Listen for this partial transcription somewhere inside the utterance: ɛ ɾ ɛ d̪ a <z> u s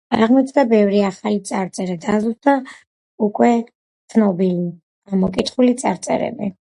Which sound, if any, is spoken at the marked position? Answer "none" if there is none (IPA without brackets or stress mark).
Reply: z